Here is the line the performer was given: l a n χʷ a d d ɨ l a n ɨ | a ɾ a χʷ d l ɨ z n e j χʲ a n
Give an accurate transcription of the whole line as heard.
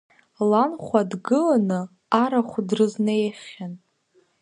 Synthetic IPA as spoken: l a n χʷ a d ɡ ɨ l a n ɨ | a ɾ a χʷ d r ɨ z n e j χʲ a n